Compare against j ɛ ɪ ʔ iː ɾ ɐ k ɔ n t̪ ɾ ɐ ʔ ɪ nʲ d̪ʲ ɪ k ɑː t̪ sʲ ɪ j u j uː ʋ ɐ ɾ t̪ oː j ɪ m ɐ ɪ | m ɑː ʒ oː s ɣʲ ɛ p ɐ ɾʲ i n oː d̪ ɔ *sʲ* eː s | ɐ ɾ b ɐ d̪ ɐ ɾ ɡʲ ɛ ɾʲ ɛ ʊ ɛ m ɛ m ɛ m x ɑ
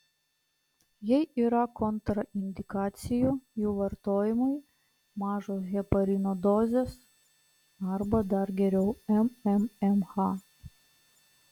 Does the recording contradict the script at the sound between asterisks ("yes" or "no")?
yes